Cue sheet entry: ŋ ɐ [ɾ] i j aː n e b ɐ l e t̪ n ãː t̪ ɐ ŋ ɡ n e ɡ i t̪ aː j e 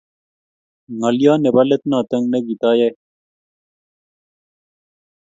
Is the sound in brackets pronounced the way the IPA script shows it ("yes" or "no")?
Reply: no